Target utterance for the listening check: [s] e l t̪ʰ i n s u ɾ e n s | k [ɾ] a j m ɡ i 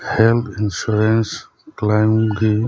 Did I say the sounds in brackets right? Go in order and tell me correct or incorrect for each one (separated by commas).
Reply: incorrect, incorrect